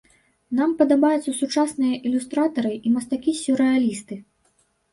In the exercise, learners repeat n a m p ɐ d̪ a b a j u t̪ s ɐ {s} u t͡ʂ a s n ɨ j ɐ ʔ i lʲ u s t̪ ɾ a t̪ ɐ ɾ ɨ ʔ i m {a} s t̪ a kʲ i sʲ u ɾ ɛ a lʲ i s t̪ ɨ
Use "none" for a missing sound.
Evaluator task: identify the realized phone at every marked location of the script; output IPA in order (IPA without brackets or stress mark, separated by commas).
s, ɐ